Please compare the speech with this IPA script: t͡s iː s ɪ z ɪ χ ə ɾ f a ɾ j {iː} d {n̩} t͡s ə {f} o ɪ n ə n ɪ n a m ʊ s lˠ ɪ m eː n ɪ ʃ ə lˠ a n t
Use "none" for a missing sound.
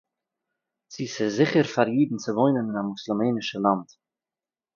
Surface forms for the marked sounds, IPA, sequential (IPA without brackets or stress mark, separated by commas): iː, n̩, v